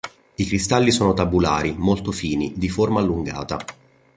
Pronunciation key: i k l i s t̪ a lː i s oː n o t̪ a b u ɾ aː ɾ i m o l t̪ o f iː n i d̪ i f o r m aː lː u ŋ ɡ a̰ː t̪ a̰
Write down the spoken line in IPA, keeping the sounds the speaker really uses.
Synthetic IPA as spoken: i k ɾ i s t̪ a lː i s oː n o t̪ a b u l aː ɾ i m o l t̪ o f iː n i d̪ i f o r m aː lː u ŋ ɡ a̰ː t̪ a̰